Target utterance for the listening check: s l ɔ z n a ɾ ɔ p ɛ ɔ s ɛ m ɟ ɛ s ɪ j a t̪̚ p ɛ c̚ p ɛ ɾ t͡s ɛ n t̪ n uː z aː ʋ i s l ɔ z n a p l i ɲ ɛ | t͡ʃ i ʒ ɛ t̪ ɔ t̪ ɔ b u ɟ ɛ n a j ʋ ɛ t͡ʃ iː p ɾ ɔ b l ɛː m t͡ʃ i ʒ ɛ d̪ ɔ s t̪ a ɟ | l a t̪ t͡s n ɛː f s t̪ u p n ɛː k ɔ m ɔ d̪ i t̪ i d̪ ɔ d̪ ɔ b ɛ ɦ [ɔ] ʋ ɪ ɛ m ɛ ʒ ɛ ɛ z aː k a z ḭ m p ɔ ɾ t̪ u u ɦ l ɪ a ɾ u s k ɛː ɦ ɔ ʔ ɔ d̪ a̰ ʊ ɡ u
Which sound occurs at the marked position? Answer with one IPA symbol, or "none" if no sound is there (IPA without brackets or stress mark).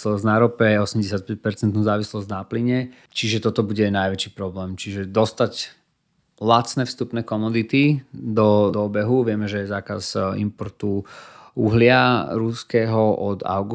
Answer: u